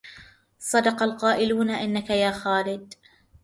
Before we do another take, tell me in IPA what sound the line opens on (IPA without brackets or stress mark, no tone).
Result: sˤ